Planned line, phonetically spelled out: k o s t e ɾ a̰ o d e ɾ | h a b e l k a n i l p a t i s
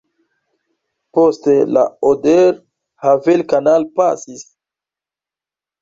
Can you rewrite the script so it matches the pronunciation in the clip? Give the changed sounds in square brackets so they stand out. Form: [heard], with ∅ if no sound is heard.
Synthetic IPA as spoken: [p] o s t e [l] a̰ o d e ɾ | h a [v] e l k a n [a] l p a [s] i s